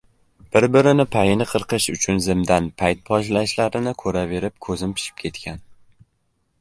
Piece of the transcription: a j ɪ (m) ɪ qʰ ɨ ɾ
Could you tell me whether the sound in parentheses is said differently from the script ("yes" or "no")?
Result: yes